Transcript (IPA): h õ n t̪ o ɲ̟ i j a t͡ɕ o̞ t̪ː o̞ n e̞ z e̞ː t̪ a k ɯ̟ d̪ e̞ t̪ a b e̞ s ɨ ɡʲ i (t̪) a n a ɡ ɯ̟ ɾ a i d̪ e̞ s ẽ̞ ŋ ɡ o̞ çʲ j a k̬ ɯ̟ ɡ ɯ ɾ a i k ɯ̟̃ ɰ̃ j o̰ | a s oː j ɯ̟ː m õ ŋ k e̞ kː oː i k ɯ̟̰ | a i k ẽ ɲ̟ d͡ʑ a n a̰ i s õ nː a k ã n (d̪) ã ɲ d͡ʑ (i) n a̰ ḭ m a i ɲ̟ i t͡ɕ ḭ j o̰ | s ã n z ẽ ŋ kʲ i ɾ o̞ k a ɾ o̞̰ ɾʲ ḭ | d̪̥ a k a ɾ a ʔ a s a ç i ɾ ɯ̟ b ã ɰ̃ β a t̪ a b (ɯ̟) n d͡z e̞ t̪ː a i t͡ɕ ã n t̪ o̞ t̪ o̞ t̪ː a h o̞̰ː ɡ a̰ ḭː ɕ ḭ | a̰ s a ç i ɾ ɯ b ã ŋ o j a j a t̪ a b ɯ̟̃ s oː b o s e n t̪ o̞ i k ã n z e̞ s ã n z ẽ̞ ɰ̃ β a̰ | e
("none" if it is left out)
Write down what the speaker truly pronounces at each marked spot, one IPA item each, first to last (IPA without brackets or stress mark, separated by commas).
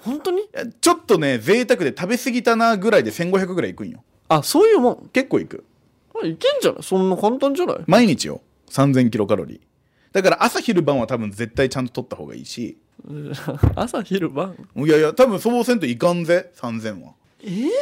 t̪, t̪, a, ɯ̟̃